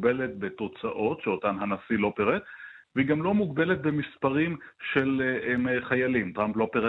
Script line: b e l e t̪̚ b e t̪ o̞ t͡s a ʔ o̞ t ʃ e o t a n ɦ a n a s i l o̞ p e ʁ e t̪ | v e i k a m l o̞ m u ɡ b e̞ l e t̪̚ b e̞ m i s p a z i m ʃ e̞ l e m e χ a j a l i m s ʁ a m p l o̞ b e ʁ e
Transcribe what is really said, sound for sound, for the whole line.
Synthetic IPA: b e l e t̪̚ b e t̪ o̞ t͡s a ʔ o̞ t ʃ e o t a n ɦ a n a s i l o̞ p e ʁ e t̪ | v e i ɡ a m l o̞ m u ɡ b e̞ l e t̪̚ b e̞ m i s p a ʁ i m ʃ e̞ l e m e χ a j a l i m t ʁ a m p l o̞ p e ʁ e